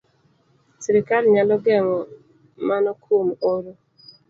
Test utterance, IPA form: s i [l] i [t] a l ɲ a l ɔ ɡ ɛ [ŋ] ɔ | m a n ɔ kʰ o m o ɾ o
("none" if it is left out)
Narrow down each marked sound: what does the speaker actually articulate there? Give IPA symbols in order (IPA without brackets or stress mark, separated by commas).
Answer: ɾ, k, ŋ